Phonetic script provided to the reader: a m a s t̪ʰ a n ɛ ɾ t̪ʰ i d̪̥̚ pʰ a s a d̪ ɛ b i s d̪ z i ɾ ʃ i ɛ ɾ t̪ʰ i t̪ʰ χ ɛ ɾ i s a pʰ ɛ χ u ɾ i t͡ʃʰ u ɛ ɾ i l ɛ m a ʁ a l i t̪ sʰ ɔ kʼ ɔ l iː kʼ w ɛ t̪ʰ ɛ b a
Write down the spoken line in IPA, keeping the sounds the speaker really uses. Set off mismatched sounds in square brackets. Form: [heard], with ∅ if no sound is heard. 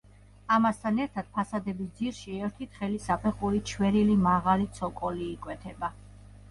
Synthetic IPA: a m a s t̪ʰ a n ɛ ɾ t̪ʰ [a] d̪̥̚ pʰ a s a d̪ ɛ b i s d̪ z i ɾ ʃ i ɛ ɾ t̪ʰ i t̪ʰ χ ɛ [l] i s a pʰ ɛ χ u ɾ i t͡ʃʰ [w] ɛ ɾ i l [i] m a ʁ a l i t̪ sʰ ɔ kʼ ɔ l iː kʼ w ɛ t̪ʰ ɛ b a